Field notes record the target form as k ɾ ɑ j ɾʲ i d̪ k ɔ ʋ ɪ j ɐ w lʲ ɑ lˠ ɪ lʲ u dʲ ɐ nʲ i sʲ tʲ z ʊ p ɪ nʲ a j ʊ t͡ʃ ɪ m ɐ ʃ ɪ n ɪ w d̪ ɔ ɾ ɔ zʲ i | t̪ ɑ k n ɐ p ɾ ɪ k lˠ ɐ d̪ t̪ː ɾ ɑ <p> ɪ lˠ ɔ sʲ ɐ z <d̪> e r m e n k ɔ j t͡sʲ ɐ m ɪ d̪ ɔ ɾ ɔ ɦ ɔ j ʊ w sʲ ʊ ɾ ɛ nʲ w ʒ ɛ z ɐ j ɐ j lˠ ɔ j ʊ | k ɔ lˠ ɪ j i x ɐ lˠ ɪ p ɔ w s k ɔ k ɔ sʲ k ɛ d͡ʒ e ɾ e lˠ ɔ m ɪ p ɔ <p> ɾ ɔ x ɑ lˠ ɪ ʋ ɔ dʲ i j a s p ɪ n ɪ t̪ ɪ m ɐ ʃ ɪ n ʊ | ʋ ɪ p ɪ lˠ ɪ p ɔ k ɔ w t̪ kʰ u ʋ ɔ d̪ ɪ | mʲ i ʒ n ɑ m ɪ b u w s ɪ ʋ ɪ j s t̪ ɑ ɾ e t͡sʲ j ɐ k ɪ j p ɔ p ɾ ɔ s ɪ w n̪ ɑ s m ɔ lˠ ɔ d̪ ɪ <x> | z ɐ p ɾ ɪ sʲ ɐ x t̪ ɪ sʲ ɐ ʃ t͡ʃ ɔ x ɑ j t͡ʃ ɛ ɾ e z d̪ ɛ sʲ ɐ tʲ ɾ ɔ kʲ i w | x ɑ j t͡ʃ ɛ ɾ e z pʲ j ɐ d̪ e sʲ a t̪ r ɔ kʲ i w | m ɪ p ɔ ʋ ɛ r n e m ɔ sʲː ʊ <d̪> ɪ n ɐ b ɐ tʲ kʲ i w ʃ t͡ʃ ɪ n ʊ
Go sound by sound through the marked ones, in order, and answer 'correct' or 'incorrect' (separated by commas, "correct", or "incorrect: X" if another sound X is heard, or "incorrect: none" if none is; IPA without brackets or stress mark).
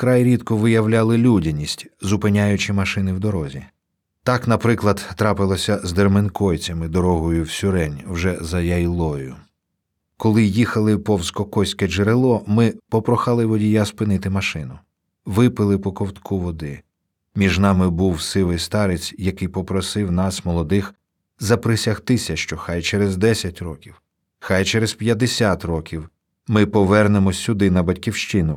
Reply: correct, correct, correct, correct, correct